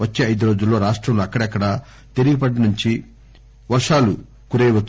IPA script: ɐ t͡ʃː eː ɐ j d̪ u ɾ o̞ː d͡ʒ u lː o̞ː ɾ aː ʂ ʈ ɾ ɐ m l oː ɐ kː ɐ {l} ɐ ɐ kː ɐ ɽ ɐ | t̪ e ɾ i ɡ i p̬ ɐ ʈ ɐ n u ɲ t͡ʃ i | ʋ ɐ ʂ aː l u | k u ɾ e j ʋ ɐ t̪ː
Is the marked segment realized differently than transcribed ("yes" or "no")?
yes